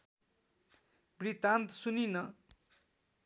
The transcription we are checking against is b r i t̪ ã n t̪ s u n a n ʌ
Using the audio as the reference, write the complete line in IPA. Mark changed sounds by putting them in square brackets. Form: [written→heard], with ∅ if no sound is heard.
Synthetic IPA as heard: b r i t̪ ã n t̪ s u n [a→i] n ʌ